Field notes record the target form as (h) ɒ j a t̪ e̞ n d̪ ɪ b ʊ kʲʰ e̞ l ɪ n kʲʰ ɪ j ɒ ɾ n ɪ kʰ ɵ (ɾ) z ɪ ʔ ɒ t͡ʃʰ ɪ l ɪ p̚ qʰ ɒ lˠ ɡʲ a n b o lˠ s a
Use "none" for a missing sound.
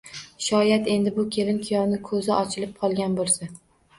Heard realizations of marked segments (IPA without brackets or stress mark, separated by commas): ʃ, none